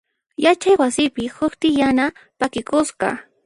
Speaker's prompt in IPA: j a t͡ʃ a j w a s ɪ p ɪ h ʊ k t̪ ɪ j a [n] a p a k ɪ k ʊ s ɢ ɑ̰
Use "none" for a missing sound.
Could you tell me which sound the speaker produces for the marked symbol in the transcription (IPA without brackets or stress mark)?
n